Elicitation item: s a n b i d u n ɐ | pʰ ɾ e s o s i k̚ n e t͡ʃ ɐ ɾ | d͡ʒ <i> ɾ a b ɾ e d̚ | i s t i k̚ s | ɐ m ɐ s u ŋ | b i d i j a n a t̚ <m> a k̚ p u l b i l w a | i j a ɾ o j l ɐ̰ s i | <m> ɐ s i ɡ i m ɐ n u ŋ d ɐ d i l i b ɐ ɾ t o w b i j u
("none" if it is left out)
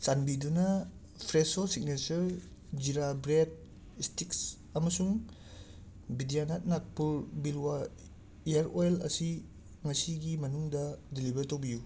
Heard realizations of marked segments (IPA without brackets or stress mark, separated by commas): i, n, ŋ